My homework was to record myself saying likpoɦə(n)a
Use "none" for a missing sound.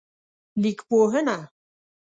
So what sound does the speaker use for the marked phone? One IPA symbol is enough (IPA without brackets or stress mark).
n